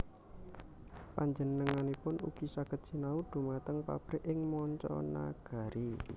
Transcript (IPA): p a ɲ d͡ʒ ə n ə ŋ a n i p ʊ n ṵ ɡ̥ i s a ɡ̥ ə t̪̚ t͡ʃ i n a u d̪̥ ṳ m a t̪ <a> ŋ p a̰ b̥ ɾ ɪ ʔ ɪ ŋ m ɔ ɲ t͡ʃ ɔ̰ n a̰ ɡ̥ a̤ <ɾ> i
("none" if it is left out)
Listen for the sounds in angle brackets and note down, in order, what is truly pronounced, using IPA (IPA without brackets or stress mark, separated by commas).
ə, ɾ